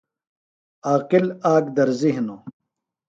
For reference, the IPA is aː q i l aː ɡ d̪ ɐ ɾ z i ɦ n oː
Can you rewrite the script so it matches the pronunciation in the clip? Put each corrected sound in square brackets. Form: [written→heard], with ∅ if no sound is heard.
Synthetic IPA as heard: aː q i l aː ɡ d̪ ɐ ɾ z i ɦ n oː